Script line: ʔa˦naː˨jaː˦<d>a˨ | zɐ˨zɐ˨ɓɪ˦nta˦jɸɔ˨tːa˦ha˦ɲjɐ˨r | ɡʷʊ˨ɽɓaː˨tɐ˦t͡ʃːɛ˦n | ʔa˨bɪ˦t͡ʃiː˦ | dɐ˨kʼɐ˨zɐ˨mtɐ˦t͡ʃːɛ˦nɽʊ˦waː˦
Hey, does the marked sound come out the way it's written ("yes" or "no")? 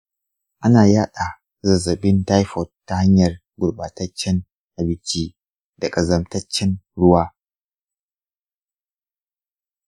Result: no